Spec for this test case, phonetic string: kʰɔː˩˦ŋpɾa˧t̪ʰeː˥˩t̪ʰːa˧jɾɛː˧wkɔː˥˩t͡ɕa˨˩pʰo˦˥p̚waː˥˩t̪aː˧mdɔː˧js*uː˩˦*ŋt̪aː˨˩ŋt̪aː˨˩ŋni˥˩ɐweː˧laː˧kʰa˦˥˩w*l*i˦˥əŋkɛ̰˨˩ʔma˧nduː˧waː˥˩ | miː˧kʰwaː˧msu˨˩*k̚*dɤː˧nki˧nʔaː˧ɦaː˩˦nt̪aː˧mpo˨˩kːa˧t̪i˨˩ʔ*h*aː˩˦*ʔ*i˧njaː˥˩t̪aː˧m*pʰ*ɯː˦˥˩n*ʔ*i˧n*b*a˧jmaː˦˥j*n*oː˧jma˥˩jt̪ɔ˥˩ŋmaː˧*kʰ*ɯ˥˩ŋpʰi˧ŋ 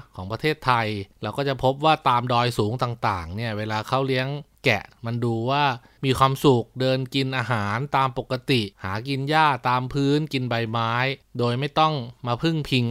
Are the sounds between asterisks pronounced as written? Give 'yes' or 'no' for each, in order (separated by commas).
yes, yes, yes, yes, no, yes, no, yes, no, no